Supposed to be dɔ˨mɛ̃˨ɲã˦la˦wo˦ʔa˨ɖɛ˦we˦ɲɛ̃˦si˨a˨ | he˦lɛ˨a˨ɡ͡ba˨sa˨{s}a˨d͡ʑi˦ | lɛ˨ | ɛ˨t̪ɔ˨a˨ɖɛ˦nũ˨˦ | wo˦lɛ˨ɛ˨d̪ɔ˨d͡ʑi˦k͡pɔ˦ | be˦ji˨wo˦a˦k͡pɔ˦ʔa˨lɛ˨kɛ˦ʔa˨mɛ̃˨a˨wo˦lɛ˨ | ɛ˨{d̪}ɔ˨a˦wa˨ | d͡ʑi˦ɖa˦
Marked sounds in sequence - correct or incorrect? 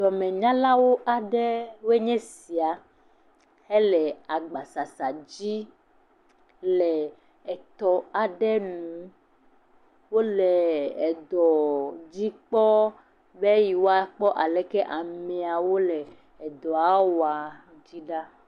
correct, correct

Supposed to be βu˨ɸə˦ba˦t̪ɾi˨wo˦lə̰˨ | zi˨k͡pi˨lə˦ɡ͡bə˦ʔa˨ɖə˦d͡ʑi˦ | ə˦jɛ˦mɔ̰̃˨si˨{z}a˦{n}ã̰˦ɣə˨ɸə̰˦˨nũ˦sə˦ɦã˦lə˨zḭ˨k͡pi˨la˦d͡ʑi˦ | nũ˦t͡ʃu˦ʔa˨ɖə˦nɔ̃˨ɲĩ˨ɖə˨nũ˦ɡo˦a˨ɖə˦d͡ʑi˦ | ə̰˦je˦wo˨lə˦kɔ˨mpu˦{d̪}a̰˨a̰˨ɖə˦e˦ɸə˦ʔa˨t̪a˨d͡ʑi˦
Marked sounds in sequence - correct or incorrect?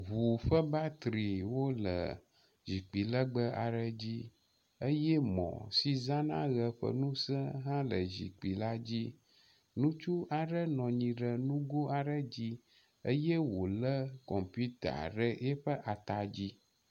correct, correct, incorrect

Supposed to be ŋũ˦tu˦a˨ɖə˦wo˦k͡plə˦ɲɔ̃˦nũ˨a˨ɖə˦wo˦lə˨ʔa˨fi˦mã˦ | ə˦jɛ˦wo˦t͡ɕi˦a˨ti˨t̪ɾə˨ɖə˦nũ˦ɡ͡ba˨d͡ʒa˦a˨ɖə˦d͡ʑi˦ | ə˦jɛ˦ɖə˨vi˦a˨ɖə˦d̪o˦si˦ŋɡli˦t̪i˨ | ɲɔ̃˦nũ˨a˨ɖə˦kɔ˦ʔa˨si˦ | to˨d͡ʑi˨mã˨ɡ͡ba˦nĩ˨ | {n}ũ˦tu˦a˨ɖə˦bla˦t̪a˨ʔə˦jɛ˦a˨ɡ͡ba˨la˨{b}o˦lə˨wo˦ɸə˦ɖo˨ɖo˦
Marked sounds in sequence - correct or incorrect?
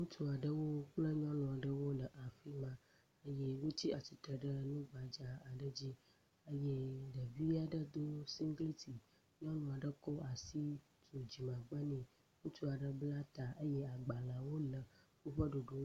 incorrect, incorrect

